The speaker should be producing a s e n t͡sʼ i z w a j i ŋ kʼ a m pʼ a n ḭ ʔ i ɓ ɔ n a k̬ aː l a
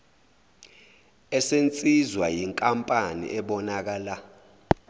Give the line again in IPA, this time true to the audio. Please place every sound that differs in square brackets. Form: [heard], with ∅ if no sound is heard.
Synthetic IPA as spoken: [ɛ] s e n t͡sʼ i z w a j i ŋ kʼ a m pʼ a n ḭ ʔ [ɛ] ɓ ɔ n a k̬ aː l a